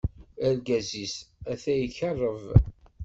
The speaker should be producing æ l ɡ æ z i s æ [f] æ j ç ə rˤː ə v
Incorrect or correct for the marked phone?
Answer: incorrect: θ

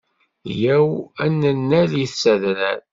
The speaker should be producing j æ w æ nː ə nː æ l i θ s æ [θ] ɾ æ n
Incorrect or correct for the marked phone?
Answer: incorrect: ð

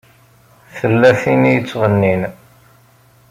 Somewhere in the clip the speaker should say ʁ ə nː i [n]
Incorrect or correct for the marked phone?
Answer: correct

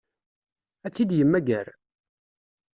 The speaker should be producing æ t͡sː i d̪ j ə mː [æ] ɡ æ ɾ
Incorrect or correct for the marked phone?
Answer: correct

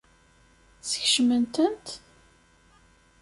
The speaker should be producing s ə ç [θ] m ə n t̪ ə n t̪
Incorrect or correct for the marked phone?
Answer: incorrect: ʃ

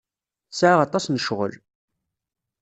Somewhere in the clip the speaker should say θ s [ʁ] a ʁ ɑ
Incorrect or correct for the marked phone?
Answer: incorrect: ʕ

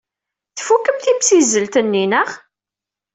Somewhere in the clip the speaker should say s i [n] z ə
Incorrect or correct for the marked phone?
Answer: incorrect: none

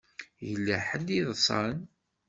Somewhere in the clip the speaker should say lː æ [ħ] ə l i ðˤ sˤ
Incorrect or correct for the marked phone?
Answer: correct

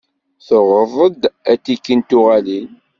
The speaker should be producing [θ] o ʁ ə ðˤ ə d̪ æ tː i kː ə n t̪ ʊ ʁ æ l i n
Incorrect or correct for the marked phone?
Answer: correct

